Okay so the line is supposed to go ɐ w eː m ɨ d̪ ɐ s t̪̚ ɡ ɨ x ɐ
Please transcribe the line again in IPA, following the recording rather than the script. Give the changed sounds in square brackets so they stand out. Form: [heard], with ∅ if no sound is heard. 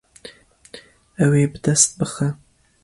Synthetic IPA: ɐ w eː [b] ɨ d̪ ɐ s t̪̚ [b] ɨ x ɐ